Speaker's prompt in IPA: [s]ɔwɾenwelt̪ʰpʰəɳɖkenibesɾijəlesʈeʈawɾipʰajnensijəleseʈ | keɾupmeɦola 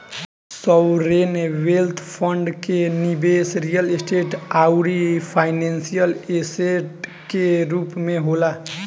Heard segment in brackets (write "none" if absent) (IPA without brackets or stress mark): s